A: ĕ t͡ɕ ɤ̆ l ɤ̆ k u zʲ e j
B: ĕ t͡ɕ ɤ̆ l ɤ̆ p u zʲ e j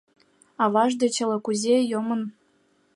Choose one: A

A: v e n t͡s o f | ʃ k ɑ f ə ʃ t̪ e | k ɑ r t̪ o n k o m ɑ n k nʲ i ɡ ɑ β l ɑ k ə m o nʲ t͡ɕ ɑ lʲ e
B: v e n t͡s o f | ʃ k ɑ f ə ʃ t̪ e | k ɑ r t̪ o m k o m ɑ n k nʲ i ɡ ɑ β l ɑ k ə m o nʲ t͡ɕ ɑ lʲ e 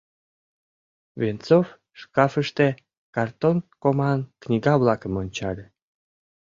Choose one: A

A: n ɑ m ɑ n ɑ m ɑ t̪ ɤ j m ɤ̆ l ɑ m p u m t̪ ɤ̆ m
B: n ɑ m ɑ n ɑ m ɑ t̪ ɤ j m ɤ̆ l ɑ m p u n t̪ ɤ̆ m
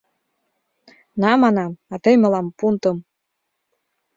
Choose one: B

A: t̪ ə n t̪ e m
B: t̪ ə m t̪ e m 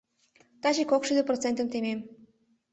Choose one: B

